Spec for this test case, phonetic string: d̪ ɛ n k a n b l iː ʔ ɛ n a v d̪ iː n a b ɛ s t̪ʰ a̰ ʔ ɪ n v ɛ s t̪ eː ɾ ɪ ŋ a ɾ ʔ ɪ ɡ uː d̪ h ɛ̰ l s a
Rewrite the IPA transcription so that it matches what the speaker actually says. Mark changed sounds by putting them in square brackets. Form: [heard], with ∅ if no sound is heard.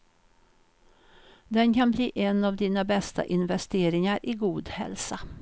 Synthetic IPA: d̪ ɛ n k a n b l iː ʔ ɛ n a v d̪ iː n a b ɛ s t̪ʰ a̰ ʔ ɪ n v ɛ s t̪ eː ɾ ɪ ŋ a ɾ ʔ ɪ ɡ uː d̪ h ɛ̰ l s a